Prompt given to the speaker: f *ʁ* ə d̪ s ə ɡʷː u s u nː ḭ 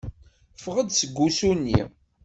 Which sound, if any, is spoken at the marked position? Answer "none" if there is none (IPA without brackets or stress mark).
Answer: ʁ